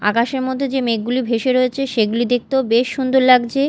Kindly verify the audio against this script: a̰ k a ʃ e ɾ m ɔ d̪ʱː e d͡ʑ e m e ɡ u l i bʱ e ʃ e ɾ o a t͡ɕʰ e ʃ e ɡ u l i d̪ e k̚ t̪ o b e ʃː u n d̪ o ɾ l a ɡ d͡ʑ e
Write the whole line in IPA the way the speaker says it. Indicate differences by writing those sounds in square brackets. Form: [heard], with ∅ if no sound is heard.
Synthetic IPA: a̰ k a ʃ e ɾ m ɔ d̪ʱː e d͡ʑ e m e ɡ u l i bʱ e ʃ e ɾ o [e] t͡ɕʰ e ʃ e ɡ u l i d̪ e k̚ t̪ o b e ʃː u n d̪ o ɾ l a ɡ d͡ʑ e